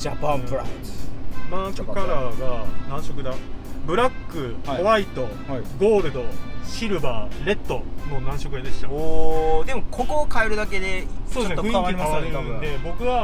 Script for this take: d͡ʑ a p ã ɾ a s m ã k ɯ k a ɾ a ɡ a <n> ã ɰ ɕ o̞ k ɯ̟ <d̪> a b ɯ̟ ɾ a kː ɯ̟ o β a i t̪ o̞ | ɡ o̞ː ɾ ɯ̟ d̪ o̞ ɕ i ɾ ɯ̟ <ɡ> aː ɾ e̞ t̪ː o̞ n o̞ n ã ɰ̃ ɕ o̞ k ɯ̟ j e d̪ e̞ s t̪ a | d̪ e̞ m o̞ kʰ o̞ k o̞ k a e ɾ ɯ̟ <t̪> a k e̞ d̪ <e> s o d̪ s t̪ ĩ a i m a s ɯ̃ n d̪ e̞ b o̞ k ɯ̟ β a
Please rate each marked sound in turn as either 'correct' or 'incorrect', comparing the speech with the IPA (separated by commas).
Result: correct, correct, incorrect, incorrect, correct